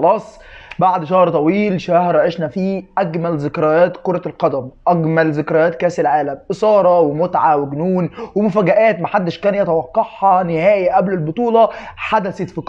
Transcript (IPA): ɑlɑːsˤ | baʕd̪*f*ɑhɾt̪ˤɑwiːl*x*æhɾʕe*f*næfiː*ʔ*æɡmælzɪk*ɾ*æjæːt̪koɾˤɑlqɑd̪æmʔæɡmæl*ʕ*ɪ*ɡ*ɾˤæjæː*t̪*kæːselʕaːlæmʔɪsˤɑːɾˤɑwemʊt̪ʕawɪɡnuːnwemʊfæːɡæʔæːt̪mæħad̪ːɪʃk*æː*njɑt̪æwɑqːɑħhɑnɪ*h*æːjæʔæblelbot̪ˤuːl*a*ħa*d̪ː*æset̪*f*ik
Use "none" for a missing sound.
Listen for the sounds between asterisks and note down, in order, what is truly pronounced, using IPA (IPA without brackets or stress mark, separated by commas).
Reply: ʃ, ʃ, ʃ, ʔ, ɾ, z, k, t̪, æː, h, ɑ, d̪, f